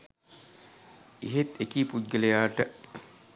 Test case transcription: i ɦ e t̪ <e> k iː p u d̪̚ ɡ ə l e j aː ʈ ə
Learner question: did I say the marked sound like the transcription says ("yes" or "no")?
yes